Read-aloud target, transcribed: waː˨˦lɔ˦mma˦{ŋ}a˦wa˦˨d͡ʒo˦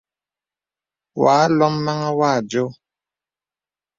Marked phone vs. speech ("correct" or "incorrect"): correct